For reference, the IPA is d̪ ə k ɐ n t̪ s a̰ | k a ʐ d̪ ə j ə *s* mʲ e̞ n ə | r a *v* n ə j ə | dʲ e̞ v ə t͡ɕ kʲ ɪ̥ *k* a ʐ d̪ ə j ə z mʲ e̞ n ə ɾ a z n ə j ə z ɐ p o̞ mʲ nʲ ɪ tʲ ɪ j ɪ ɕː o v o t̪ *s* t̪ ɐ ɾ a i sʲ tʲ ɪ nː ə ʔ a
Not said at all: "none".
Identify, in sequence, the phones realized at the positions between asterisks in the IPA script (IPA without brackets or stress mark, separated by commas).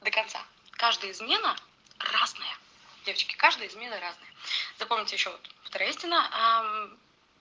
z, z, k, f